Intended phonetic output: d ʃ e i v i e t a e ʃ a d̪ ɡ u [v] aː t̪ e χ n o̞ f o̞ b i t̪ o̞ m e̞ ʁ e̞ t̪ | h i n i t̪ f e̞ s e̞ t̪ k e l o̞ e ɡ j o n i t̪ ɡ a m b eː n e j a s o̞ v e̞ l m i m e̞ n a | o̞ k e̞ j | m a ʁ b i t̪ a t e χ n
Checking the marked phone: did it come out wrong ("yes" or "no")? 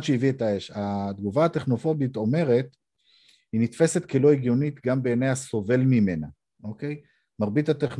no